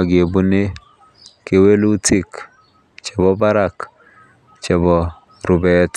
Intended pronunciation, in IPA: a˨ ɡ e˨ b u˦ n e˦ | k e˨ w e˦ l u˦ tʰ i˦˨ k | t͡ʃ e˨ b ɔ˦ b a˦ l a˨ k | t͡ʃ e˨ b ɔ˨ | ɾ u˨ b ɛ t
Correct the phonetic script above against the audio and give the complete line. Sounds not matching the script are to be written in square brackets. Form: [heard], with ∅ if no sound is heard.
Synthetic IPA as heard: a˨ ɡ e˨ b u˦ n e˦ | k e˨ w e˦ l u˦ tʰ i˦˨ k | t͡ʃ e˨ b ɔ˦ b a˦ [ɾ] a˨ k | t͡ʃ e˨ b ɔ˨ | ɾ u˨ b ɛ t